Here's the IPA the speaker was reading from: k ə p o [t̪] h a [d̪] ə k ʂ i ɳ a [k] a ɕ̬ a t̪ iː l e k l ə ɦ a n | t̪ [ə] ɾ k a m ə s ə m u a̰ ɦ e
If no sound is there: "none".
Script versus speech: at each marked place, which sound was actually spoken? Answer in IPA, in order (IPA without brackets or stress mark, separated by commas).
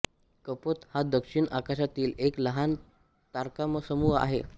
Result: t̪, d̪, k, a